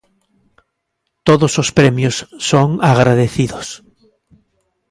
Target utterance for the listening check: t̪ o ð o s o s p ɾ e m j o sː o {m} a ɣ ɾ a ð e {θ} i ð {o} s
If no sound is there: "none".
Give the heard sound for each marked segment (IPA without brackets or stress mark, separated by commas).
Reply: ŋ, θ, o